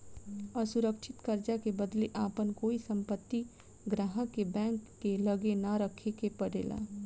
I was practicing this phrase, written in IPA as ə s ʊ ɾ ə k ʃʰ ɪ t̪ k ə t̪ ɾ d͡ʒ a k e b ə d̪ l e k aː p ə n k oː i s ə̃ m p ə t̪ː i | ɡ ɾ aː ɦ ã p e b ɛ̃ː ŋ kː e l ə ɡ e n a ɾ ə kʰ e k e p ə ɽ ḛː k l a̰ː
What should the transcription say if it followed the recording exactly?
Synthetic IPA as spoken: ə s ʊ ɾ ə k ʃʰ ɪ t̪ k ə ɾ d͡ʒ a k e b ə d̪ l e ʔ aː p ə n k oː i s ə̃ m p ə t̪ː i | ɡ ɾ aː ɦ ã k e b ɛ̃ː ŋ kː e l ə ɡ e n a ɾ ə kʰ e k e p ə ɽ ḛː l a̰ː